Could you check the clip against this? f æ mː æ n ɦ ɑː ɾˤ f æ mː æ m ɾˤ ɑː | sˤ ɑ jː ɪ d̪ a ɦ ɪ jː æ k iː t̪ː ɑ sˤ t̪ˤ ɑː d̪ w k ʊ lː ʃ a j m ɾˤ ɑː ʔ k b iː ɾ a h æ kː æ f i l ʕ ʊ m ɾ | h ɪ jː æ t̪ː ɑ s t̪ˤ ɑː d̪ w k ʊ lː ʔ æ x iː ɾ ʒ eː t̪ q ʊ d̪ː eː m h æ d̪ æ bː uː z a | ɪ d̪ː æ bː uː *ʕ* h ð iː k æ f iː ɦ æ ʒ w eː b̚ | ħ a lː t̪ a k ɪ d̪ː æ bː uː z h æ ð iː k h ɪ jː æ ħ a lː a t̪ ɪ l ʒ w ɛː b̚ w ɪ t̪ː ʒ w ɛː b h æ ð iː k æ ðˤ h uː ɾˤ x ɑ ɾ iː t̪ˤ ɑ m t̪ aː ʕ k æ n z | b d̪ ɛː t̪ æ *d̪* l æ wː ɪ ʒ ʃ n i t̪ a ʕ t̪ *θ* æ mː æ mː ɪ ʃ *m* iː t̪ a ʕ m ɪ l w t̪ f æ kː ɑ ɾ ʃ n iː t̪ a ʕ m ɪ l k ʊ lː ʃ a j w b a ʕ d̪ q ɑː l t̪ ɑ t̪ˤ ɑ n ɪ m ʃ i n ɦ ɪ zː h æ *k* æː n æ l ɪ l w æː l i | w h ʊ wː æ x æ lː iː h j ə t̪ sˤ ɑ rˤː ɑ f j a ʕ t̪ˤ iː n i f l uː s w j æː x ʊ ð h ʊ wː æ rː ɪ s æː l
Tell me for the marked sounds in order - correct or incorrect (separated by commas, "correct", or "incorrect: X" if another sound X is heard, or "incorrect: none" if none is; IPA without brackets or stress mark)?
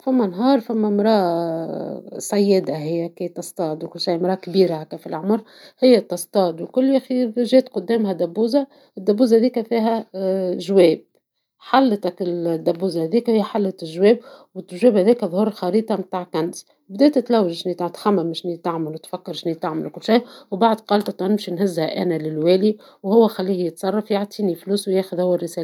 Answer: incorrect: z, incorrect: t̪, incorrect: x, incorrect: n, incorrect: ʔ